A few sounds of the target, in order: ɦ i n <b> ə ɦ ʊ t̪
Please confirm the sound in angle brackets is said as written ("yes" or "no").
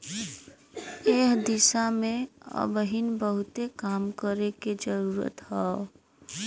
yes